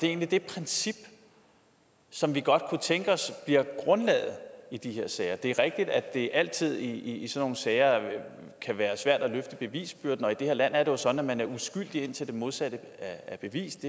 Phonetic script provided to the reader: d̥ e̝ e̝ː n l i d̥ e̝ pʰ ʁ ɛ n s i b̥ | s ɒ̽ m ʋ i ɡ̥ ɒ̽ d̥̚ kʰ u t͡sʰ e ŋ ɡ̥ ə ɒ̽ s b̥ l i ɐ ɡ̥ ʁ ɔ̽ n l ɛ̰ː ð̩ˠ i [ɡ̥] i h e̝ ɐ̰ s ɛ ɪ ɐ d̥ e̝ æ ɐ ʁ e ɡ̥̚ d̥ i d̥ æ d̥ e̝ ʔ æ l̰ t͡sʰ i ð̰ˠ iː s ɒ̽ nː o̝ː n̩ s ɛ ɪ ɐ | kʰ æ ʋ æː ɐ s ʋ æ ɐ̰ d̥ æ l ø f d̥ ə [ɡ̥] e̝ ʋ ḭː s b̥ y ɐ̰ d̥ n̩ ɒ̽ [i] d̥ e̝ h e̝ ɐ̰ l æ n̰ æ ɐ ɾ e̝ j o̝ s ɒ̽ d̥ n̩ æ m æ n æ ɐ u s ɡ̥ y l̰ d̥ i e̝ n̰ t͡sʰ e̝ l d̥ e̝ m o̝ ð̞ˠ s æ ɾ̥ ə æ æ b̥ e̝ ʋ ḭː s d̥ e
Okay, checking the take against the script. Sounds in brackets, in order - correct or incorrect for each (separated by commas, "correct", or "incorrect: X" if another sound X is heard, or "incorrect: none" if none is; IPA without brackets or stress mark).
incorrect: d̥, incorrect: b̥, correct